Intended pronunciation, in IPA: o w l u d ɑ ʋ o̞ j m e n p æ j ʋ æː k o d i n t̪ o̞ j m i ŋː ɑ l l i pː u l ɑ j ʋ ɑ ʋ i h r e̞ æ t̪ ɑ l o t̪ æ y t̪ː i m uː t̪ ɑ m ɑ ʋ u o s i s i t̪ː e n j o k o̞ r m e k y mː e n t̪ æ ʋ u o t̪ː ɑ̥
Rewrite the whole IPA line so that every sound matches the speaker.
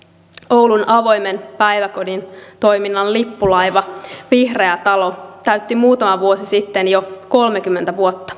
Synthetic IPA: o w l u n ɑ ʋ o̞ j m e n p æ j ʋ æ k o d i n t̪ o̞ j m i nː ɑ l l i pː u l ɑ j ʋ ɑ ʋ i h r e̞ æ t̪ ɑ l o t̪ æ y t̪ː i m uː t̪ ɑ m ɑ ʋ u o s i s i t̪ː e n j o k o̞ l m e k y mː e n t̪ æ ʋ u o t̪ː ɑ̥